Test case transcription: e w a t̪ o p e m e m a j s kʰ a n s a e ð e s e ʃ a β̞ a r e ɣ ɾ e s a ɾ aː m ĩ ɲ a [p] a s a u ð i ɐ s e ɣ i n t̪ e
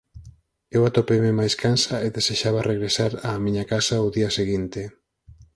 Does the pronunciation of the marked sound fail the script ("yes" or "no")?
yes